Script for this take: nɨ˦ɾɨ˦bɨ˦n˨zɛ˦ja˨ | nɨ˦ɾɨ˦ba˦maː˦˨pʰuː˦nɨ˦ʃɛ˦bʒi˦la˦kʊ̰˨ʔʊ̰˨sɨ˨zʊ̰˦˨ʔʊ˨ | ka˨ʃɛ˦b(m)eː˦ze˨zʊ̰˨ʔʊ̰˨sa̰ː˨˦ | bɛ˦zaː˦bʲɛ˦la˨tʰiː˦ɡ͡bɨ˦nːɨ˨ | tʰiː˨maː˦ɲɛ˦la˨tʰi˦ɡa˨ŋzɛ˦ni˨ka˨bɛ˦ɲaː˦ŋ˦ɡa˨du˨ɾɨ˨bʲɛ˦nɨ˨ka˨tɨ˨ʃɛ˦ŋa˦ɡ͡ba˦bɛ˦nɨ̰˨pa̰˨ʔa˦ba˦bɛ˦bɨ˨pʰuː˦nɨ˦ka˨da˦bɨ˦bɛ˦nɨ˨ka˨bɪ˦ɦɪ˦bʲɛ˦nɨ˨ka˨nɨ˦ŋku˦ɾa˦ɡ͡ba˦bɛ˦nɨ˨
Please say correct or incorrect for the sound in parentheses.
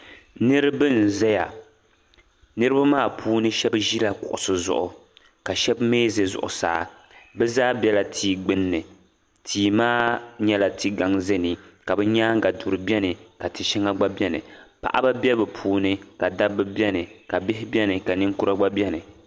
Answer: correct